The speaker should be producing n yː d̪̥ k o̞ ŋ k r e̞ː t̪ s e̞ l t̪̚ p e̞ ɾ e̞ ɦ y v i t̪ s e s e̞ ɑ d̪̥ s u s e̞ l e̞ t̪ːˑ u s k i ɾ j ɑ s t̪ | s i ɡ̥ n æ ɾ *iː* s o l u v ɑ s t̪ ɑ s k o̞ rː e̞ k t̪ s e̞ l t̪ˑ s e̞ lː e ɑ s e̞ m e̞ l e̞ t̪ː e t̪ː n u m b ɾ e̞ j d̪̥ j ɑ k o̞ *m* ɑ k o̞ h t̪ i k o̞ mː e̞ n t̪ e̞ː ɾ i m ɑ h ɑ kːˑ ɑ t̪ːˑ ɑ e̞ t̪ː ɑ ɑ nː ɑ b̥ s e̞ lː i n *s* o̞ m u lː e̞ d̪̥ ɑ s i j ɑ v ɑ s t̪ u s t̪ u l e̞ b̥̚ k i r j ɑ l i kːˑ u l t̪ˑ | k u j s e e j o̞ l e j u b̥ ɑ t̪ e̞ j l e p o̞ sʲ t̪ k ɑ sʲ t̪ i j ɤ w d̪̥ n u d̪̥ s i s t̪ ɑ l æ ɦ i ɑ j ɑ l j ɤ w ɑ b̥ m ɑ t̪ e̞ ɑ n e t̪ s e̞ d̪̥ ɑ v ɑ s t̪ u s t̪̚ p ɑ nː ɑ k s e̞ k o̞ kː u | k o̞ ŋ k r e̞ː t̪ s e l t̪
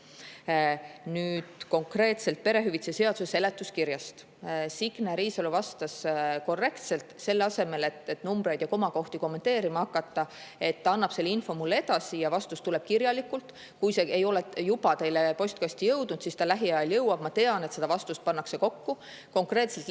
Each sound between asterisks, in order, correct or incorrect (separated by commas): correct, correct, incorrect